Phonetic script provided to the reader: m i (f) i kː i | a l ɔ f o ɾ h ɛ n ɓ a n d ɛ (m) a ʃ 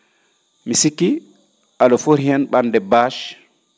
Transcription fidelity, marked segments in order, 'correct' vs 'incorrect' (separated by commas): incorrect, incorrect